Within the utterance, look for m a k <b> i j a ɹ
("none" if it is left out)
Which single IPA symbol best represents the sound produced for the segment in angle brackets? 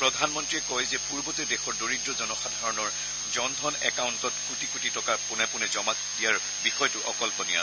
d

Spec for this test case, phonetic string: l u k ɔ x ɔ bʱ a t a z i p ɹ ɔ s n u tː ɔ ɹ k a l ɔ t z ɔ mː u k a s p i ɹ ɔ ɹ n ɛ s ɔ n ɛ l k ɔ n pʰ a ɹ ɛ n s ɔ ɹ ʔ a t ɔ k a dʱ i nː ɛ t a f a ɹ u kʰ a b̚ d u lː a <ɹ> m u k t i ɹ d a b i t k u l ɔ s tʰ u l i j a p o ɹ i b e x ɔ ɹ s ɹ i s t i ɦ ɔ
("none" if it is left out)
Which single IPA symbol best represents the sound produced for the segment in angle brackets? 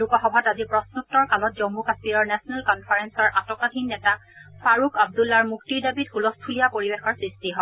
ɹ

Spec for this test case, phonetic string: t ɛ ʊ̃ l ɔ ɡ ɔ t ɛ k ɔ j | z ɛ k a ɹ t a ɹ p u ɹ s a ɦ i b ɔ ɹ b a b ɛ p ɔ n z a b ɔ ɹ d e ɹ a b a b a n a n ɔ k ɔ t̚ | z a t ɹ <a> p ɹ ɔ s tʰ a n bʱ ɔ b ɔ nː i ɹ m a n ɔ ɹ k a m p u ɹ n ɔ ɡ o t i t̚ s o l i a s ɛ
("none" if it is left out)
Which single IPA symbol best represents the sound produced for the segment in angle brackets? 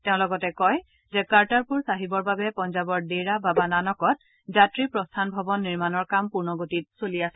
i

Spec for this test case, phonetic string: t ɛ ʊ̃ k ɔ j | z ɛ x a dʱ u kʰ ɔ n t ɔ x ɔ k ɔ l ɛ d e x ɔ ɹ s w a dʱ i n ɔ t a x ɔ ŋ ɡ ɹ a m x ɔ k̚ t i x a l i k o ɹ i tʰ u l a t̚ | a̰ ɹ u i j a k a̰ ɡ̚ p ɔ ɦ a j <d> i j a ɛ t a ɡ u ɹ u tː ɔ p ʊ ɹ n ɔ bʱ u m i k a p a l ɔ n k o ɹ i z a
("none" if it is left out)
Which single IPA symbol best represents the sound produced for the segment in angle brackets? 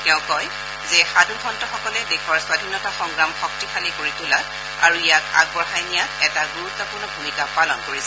n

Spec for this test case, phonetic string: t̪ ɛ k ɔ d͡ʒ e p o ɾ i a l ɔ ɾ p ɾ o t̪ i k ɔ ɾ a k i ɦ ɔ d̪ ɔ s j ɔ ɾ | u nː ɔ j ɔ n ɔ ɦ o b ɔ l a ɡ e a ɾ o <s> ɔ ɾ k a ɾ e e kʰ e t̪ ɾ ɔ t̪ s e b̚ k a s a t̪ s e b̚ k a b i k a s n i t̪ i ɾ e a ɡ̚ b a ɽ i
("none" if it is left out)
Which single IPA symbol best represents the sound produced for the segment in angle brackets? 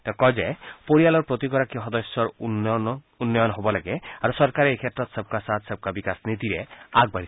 s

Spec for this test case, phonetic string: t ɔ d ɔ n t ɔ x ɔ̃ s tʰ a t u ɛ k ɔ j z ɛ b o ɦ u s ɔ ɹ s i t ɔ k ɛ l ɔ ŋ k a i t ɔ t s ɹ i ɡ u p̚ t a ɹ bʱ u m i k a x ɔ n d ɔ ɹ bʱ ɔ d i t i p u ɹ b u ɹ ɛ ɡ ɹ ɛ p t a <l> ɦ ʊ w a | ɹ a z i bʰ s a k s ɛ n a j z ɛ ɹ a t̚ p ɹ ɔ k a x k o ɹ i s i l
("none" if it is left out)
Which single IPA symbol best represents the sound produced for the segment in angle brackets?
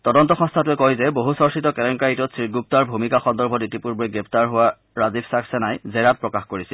ɹ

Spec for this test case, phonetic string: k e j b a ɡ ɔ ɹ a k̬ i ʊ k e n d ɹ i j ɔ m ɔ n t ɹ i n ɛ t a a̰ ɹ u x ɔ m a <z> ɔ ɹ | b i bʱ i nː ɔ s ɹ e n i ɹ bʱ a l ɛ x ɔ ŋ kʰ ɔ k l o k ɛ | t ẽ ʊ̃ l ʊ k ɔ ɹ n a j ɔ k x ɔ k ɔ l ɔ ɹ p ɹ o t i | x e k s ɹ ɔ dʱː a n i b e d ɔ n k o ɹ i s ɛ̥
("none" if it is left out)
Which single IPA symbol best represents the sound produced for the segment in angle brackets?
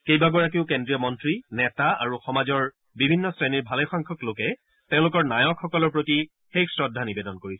z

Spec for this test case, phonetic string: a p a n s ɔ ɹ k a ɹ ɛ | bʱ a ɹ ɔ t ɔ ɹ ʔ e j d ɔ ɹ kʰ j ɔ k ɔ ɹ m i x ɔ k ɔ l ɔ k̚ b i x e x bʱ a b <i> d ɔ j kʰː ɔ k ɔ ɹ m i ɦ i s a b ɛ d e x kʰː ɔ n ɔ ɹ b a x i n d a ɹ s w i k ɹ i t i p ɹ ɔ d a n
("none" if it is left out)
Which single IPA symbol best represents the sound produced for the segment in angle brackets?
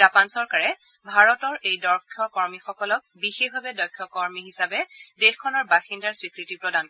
ɛ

